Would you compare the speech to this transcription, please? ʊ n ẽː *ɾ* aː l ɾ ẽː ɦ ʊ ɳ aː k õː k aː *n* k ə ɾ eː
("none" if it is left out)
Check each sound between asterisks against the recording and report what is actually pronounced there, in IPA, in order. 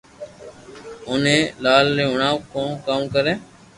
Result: l, m

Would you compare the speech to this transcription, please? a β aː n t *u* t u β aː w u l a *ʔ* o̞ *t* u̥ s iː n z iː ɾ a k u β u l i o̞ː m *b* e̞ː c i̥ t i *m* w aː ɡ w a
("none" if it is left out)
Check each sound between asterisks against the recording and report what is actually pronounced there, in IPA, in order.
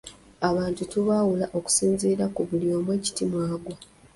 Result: u, ʔ, k, w, m

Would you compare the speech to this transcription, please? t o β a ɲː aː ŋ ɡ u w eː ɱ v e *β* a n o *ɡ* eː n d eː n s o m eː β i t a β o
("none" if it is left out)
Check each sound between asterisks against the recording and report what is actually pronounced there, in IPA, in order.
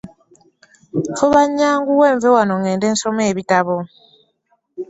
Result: w, ŋ

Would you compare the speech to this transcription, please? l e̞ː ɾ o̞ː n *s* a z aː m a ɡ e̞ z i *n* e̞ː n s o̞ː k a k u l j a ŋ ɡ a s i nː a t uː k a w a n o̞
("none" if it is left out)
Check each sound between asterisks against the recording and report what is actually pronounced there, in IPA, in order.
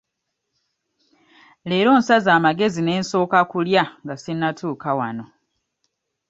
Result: s, n

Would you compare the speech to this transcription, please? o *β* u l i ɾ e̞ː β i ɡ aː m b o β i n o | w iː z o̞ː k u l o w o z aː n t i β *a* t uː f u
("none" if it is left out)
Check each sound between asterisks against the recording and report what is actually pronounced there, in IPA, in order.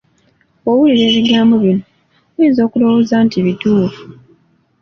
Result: w, i

